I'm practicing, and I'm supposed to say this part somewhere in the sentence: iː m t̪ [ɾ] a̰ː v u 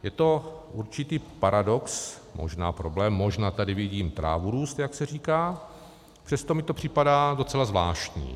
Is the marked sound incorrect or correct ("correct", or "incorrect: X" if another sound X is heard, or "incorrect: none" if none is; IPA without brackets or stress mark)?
correct